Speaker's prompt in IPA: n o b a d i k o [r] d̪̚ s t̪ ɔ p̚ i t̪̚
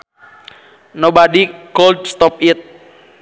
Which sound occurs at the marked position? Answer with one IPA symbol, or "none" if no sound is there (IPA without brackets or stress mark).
l